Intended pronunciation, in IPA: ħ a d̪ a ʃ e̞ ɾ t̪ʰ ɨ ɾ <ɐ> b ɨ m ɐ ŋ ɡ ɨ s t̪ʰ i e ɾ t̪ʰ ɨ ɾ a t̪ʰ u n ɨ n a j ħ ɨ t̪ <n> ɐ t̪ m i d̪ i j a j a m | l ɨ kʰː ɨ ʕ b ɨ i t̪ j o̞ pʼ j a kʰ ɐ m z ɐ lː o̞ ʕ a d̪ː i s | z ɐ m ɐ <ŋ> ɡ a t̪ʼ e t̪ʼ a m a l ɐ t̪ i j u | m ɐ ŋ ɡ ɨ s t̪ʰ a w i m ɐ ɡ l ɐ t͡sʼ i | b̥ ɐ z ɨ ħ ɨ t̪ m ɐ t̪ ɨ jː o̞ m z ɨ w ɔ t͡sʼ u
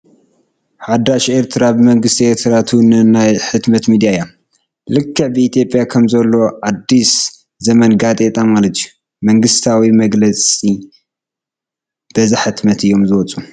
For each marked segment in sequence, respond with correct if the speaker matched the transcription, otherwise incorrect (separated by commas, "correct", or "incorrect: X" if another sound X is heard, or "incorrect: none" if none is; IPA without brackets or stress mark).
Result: incorrect: a, incorrect: m, incorrect: n